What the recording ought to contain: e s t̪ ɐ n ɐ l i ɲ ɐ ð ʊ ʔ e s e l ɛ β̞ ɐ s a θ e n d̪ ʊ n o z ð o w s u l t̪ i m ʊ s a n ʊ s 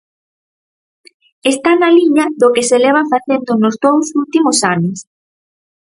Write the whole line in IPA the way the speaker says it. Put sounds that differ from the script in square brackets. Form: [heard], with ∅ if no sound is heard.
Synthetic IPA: e s t̪ [a] n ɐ l i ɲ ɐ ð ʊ [k] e s e l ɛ β̞ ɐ [f] a θ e n d̪ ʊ n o z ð o w s u l t̪ i m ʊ s a n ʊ s